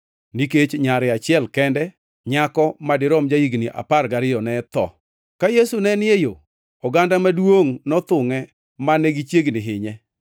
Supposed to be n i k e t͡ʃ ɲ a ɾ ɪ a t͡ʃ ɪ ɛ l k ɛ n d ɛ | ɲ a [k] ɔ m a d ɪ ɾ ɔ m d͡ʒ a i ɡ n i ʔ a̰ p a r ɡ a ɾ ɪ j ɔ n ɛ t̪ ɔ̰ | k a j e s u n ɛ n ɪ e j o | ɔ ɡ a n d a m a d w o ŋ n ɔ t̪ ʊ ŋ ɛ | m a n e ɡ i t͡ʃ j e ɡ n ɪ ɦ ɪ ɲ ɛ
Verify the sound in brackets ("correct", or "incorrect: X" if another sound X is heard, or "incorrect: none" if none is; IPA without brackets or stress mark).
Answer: correct